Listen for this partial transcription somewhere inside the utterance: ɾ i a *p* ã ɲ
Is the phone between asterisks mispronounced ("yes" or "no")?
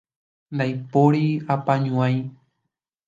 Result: no